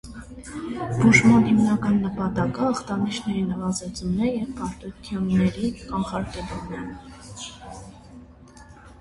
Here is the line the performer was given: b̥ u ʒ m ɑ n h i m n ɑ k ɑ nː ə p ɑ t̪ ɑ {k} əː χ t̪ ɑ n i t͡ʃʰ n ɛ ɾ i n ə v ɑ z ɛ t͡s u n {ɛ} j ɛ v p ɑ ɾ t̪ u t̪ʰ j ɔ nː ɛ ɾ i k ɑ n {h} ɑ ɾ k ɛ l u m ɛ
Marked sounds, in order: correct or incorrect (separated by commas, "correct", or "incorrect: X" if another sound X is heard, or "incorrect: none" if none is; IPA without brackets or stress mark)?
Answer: correct, correct, incorrect: χ